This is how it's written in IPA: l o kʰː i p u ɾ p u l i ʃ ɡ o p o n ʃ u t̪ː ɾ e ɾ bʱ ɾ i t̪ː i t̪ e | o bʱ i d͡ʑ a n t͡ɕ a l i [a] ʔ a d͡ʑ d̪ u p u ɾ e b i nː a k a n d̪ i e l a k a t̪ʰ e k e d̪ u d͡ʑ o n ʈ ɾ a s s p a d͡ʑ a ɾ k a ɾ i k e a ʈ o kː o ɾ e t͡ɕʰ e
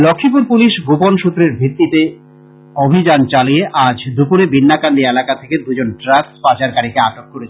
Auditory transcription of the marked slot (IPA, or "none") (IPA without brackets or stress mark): e